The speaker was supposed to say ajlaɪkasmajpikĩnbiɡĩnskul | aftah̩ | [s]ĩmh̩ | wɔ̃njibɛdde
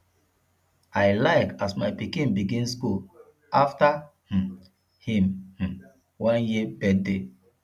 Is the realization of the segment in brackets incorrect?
yes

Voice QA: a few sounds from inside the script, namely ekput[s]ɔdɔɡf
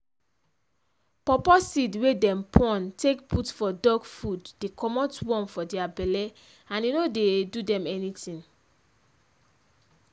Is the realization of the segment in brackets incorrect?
yes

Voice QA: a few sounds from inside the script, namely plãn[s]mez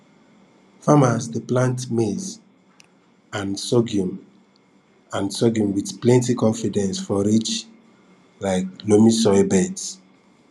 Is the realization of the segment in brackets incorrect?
yes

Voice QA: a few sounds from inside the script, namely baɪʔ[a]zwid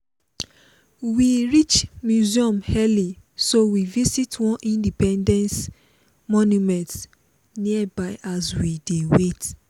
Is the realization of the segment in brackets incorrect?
no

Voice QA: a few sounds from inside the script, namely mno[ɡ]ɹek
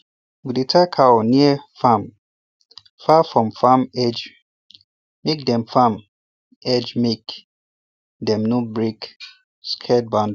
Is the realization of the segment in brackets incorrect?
yes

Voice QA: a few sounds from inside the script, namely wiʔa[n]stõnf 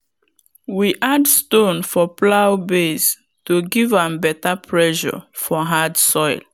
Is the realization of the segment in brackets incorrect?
yes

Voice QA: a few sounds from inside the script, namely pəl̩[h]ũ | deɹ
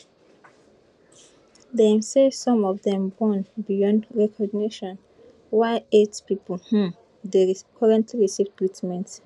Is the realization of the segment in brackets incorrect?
no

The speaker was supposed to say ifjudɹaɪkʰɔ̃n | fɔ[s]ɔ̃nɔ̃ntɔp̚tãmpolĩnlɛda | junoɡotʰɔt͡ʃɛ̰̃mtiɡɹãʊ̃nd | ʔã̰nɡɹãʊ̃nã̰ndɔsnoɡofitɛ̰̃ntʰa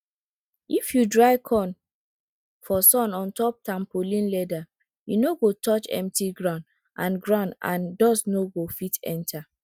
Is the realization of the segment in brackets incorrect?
no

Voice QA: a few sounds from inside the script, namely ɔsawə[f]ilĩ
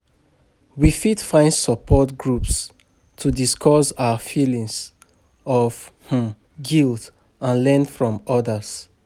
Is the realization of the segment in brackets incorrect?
no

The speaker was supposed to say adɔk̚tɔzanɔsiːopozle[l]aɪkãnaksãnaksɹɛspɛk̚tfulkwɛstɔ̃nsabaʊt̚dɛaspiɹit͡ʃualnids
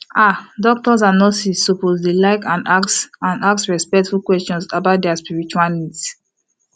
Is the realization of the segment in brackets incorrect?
no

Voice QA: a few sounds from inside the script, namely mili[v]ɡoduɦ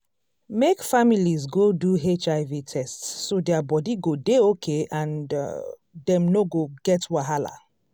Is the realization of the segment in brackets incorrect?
yes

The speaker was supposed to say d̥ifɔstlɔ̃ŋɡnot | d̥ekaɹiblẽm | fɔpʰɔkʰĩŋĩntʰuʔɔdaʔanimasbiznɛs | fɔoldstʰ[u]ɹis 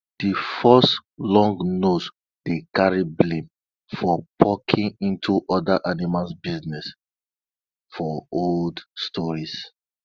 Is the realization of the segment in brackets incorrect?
yes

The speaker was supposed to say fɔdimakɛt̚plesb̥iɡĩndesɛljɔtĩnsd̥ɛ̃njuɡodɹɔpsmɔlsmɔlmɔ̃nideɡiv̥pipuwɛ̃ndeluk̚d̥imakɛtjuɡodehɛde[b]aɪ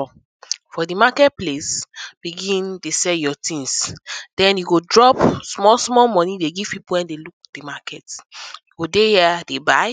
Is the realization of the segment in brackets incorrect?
no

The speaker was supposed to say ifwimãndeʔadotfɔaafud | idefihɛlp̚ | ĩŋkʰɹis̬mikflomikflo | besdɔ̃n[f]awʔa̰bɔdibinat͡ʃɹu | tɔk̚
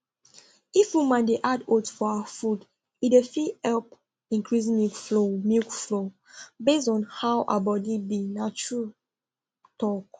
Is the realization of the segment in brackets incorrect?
yes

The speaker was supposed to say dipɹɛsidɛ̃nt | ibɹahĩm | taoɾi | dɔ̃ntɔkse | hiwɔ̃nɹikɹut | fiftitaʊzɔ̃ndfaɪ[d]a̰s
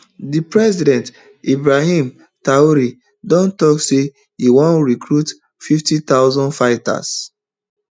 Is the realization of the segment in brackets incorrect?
yes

